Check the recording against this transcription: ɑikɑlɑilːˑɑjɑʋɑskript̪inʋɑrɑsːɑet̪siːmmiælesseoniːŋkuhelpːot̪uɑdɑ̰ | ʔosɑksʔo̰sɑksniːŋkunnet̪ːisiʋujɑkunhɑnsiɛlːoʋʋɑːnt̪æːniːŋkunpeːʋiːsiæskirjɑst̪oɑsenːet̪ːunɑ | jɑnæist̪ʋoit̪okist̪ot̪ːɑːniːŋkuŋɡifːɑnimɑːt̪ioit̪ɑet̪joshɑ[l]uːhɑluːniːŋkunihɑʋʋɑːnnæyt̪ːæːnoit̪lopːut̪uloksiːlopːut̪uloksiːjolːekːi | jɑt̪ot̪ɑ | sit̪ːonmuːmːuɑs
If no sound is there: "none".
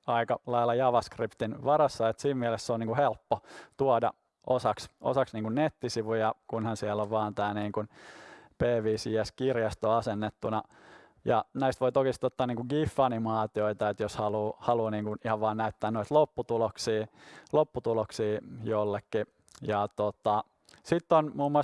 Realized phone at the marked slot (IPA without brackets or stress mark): l